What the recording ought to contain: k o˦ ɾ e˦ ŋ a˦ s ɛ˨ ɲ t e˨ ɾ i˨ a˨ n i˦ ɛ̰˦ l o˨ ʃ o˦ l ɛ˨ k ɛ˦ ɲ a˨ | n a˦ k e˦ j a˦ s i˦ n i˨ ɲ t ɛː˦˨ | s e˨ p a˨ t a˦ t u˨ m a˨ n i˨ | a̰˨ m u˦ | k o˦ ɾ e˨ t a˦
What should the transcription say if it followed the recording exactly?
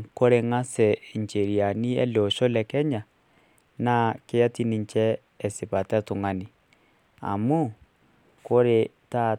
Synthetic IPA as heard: k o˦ ɾ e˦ ŋ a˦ s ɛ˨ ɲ t͡ʃ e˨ ɾ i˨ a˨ n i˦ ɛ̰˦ l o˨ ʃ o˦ l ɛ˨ k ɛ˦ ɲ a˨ | n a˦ k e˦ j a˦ t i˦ n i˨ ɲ t͡ʃ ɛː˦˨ | s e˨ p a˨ t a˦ t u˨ ŋ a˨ n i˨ | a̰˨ m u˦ | k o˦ ɾ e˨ t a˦